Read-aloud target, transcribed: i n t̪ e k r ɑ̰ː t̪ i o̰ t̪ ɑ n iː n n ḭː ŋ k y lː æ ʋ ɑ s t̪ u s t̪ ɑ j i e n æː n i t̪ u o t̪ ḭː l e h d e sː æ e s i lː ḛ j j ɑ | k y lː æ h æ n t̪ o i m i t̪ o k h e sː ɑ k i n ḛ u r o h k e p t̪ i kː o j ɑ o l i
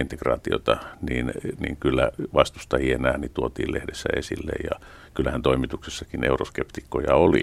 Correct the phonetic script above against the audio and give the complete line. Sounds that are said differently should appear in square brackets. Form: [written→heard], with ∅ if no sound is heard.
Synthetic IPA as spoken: i n t̪ e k r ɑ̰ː t̪ i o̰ t̪ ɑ n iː n n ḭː ŋ k y lː æ ʋ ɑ s t̪ u s t̪ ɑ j i e n æː n i t̪ u o t̪ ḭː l e h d e sː æ e s i lː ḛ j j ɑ | k y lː æ h æ n t̪ o i m i t̪ [o→u] k [h→s] e sː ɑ k i n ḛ u r o [h→s] k e p t̪ i kː o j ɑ o l i